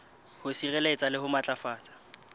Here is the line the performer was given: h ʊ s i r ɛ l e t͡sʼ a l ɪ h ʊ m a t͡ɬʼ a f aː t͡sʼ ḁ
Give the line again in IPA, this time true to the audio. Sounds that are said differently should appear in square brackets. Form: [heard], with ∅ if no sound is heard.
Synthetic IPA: h ʊ s i r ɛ l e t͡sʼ a l ɪ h ʊ m a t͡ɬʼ a f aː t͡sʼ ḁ